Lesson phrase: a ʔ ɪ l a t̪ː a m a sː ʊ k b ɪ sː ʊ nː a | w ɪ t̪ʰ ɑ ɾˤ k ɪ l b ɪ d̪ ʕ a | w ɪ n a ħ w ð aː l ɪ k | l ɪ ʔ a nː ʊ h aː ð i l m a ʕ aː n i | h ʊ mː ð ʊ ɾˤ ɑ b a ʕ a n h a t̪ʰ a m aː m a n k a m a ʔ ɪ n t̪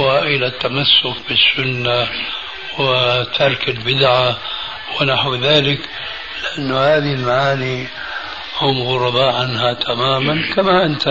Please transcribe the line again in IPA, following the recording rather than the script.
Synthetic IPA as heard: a ʔ ɪ l a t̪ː a m a sː ʊ k b ɪ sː ʊ nː a | w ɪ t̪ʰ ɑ ɾˤ k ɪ l b ɪ d̪ ʕ a | w ɪ n a ħ w ð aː l ɪ k | l ɪ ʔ a nː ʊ h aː ð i l m a ʕ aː n i | h ʊ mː ɣ ʊ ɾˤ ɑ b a ʕ a n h a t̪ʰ a m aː m a n k a m a ʔ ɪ n t̪